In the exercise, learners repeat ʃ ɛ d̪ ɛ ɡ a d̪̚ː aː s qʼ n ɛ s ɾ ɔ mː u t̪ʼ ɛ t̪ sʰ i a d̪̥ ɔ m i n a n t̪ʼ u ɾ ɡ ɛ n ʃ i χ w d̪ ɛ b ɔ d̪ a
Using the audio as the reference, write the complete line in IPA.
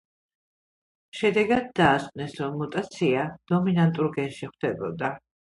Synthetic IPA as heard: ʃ ɛ d̪ ɛ ɡ a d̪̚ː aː s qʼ n ɛ s ɾ ɔ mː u t̪ʼ a t̪ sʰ i a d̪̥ ɔ m i n a n t̪ʼ u ɾ ɡ ɛ n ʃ i χ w d̪ ɛ b ɔ d̪ a